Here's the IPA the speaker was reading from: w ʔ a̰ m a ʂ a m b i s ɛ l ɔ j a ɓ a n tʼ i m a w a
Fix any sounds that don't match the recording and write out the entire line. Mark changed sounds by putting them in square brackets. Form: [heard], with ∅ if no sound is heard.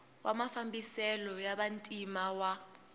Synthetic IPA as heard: w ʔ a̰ m a [f] a m b i s ɛ l ɔ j a ɓ a n tʼ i m a w a